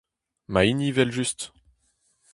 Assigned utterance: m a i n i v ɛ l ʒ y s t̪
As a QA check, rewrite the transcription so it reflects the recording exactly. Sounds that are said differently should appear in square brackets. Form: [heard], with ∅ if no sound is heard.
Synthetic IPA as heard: m a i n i v ɛ l ʒ y s t̪